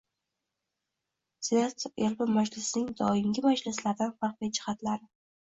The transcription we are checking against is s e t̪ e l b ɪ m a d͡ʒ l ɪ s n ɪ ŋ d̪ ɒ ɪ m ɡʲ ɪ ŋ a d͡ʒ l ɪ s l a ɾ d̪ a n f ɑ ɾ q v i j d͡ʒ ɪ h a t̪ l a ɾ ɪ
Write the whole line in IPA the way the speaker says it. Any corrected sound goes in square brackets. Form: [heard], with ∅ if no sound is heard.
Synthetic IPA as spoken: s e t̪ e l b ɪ m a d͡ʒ l ɪ s n ɪ ŋ d̪ ɒ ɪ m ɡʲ ɪ [m] a d͡ʒ l ɪ s l a ɾ d̪ a n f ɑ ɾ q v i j d͡ʒ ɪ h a t̪ l a ɾ ɪ